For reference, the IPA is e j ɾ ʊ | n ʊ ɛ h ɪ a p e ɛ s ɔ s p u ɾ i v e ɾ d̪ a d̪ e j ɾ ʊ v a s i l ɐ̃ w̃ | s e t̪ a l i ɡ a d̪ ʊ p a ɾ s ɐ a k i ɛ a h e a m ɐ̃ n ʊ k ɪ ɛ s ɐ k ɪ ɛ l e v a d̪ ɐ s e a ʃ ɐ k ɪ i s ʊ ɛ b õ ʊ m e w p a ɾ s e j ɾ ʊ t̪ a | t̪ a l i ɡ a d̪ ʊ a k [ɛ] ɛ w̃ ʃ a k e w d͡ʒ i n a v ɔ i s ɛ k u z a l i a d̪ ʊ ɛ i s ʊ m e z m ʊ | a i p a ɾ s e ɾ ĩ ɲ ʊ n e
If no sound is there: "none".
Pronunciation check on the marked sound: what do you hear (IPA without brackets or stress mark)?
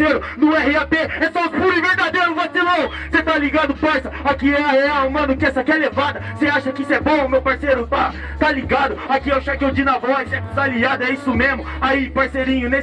i